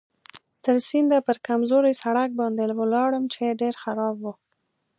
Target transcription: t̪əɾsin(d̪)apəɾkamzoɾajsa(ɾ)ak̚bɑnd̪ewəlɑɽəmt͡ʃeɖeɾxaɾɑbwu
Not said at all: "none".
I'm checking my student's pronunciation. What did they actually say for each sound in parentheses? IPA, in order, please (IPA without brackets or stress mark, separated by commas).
d̪, ɽ